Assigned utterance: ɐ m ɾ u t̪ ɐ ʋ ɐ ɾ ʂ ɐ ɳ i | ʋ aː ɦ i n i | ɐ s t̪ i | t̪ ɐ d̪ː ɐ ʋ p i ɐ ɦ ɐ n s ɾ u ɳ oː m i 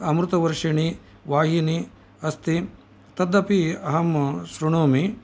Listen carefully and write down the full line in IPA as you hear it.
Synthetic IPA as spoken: ɐ m ɾ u t̪ ɐ ʋ ɐ ɾ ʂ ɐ ɳ i | ʋ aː ɦ i n i | ɐ s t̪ i | t̪ ɐ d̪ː ɐ p i ɐ ɦ ɐ m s ɾ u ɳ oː m i